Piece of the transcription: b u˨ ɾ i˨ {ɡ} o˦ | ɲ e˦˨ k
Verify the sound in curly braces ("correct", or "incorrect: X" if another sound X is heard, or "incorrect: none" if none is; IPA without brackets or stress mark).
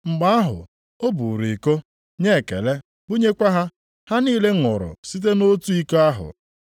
incorrect: k